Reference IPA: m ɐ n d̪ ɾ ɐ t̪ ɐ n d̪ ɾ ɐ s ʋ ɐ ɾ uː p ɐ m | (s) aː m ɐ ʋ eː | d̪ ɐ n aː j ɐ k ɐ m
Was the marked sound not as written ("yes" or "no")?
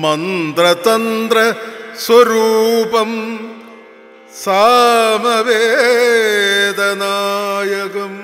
no